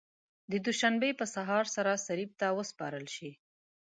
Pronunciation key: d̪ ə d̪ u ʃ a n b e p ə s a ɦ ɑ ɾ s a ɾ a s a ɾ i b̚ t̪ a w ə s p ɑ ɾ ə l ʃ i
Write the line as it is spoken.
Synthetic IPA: d̪ ə d̪ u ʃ a n b e p ə s a ɦ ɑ ɾ s a ɾ a s a ɾ i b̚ t̪ a w ə s p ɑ ɾ ə l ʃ i